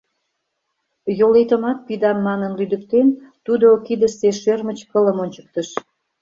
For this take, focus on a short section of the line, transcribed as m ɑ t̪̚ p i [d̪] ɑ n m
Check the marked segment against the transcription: correct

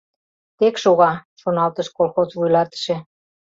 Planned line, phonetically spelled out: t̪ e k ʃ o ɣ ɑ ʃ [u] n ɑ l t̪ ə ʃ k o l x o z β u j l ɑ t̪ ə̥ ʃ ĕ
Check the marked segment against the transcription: incorrect: o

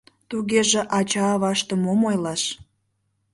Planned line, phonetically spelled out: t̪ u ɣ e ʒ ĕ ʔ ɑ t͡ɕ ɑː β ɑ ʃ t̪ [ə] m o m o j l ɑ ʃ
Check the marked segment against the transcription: correct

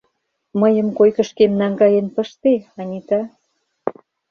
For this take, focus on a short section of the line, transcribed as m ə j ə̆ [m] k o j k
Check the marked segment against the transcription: correct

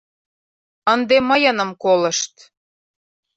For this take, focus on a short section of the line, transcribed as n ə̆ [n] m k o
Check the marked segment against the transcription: incorrect: none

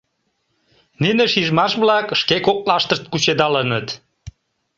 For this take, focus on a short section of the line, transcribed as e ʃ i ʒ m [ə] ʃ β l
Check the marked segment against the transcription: incorrect: ɑ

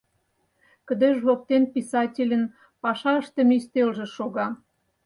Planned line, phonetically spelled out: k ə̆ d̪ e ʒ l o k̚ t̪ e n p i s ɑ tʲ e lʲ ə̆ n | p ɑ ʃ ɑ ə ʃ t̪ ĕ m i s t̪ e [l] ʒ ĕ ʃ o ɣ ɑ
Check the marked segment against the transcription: correct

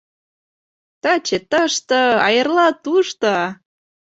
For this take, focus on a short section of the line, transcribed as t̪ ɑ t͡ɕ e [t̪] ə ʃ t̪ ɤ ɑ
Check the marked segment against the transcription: correct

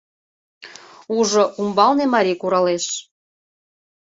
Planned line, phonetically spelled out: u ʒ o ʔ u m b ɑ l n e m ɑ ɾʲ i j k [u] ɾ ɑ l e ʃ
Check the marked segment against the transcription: correct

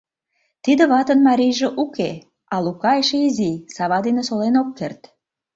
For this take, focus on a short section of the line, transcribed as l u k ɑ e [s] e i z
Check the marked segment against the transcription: incorrect: ʃ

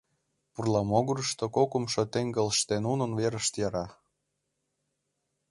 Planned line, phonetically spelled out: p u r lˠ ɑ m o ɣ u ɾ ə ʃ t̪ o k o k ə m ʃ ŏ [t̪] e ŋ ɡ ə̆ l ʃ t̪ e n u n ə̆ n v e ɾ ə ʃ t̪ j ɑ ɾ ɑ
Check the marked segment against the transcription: correct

